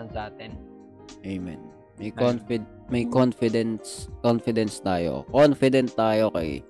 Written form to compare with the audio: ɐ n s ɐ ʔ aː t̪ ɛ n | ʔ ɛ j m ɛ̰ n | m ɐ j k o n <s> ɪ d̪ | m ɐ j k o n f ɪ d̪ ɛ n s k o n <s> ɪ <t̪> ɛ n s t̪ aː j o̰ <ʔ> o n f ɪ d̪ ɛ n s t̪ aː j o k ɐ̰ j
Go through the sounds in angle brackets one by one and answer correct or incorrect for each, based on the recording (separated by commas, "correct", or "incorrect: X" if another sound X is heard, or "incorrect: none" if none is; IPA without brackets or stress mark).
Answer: incorrect: f, incorrect: f, incorrect: d̪, incorrect: k